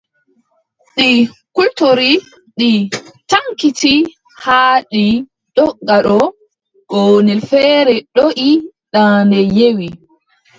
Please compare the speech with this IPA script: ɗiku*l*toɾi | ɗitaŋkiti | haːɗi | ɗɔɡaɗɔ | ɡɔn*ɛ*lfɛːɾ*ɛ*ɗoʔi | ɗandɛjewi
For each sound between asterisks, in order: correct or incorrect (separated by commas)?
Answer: correct, correct, correct